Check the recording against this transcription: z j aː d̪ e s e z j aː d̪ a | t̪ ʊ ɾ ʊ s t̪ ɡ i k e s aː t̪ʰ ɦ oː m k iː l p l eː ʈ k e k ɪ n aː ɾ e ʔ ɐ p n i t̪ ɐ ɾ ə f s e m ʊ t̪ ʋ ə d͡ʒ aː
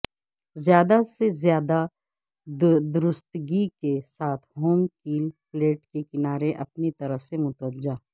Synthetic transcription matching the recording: z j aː d̪ a s e z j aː d̪ a | d̪ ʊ ɾ ʊ s t̪ ɡ i k e s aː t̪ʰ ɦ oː m k iː l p l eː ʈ k e k ɪ n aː ɾ e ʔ ɐ p n i t̪ ɐ ɾ ə f s e m ʊ t̪ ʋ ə d͡ʒ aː